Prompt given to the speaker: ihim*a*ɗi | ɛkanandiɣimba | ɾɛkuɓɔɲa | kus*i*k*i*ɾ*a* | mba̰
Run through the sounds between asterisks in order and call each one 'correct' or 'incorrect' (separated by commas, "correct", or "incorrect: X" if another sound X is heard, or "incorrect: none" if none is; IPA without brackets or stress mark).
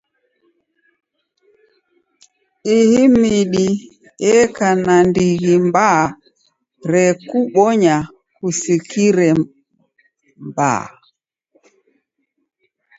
incorrect: i, correct, correct, incorrect: ɛ